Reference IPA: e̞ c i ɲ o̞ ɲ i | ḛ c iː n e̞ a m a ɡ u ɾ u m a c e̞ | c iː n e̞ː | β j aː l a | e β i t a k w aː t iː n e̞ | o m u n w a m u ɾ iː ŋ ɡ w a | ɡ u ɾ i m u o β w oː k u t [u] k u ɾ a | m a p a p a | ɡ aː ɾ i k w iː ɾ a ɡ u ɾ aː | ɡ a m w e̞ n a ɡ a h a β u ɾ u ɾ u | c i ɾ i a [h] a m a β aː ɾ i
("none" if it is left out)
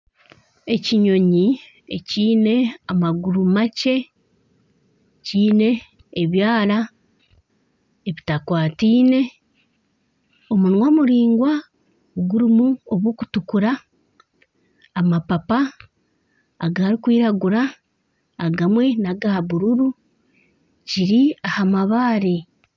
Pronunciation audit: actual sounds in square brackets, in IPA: u, h

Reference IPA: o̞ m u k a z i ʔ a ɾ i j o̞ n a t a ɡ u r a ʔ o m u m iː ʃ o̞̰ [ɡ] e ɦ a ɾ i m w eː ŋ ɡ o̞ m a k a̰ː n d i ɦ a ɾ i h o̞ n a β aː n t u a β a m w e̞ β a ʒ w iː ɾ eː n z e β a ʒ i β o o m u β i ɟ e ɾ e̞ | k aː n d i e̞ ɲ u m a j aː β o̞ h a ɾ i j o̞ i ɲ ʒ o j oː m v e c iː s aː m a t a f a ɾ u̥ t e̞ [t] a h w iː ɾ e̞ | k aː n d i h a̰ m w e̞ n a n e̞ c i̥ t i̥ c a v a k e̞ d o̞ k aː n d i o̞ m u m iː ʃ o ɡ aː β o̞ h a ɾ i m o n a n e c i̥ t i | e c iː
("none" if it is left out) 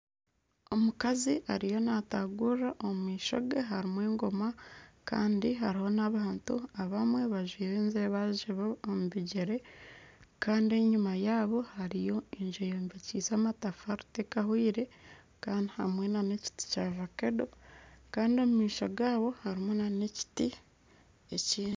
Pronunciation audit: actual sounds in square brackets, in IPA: ɡ, k

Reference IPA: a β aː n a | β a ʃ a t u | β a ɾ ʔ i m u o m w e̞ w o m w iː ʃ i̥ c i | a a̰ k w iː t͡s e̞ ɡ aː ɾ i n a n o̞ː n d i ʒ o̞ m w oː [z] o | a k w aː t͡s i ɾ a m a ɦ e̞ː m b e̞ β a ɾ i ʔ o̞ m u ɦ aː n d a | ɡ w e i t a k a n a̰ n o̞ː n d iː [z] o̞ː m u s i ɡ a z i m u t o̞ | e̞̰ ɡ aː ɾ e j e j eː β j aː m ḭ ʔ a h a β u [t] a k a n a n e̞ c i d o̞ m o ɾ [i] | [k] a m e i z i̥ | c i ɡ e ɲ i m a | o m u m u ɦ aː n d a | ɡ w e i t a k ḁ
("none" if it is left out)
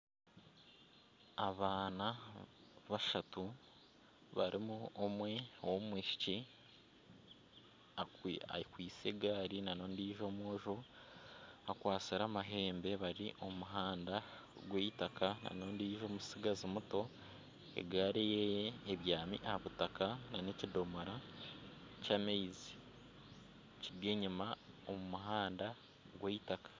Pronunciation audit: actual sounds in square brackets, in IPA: ʒ, ʒ, t, a, c

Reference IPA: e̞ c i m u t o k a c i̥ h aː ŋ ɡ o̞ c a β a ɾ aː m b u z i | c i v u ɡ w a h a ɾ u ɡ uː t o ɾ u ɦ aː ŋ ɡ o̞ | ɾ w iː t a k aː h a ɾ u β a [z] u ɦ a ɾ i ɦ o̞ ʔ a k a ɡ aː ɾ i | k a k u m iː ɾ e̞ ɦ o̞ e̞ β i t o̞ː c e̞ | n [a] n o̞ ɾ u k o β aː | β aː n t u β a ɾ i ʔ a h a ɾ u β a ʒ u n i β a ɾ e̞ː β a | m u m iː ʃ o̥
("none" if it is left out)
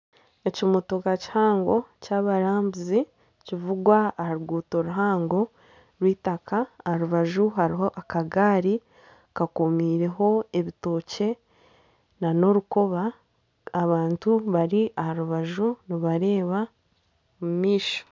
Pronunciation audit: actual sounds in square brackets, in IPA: ʒ, a

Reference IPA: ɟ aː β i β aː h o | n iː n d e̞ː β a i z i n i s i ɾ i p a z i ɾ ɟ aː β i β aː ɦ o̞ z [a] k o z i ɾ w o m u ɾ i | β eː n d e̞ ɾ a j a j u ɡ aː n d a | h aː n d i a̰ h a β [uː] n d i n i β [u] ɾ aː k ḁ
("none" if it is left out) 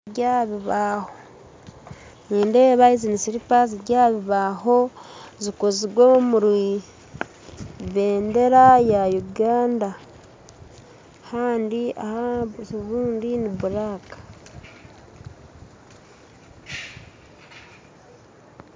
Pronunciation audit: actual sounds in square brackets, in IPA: i, uː, u

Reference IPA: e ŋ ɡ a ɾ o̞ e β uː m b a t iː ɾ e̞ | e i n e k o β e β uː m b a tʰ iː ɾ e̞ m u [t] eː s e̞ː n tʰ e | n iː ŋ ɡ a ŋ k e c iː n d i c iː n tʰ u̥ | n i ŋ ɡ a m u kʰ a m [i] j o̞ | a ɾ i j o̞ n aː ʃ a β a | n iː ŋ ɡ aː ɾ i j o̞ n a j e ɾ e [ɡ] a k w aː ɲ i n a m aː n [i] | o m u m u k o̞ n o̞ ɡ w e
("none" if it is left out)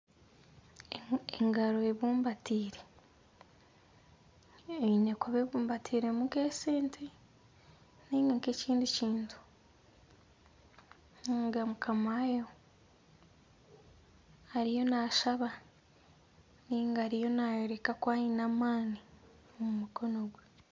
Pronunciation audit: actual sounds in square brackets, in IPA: k, a, k, i

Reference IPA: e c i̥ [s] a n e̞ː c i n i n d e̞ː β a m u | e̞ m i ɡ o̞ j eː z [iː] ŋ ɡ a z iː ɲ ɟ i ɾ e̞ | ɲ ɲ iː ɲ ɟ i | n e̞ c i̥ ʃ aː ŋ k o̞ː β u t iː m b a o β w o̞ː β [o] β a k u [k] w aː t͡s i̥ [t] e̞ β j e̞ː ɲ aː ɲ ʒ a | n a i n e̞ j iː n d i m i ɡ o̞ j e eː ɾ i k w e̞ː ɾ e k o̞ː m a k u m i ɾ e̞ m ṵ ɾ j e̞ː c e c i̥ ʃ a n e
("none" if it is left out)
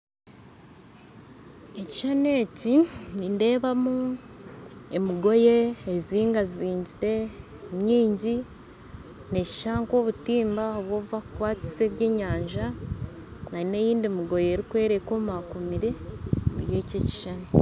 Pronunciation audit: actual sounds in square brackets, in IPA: ʃ, iː, u, k, s

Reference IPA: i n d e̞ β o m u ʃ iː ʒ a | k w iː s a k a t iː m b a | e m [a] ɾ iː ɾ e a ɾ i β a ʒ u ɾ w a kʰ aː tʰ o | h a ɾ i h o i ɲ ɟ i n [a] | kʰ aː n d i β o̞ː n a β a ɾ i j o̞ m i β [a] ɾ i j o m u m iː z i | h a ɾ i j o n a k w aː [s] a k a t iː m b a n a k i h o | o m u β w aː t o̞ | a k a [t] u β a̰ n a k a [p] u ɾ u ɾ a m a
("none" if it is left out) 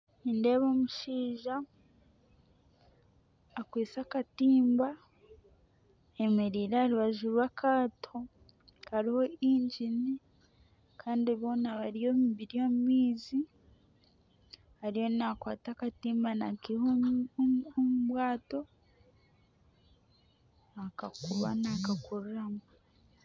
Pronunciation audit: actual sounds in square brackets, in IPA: e, i, i, t, k, k

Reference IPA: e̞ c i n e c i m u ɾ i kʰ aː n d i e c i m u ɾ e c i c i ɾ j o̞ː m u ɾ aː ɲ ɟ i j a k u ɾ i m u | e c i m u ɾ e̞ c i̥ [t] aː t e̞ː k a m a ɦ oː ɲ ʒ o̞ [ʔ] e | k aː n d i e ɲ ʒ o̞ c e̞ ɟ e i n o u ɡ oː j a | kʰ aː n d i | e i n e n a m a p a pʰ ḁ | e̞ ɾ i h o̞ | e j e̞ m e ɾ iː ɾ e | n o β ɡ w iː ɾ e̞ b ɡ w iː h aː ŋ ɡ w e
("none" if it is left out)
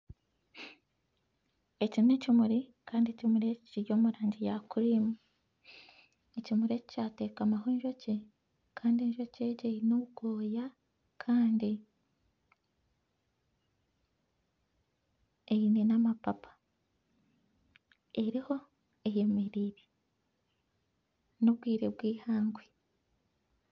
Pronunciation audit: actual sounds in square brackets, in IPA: c, c

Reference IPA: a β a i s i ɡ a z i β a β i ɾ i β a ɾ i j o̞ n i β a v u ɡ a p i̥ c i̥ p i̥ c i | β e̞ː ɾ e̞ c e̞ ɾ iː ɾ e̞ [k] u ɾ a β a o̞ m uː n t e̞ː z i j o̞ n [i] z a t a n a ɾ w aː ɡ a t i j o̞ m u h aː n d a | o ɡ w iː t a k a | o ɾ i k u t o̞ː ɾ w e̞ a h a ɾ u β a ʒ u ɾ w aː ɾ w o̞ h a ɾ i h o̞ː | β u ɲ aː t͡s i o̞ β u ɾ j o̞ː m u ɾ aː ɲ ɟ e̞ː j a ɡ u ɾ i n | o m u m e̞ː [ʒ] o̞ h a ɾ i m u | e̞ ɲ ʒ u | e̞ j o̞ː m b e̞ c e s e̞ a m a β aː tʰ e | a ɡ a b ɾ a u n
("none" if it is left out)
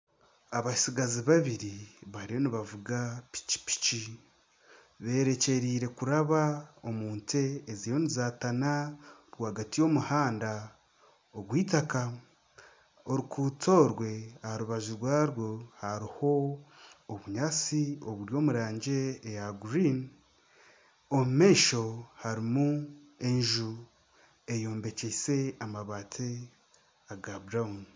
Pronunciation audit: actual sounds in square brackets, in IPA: k, i, ʃ

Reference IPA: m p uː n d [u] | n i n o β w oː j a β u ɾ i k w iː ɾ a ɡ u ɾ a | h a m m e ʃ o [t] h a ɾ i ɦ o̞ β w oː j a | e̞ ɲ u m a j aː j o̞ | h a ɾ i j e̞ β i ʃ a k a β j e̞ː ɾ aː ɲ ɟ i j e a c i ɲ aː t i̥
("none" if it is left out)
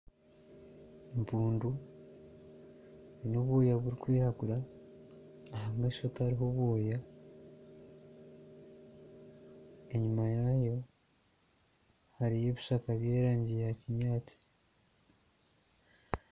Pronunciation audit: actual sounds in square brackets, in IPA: u, t

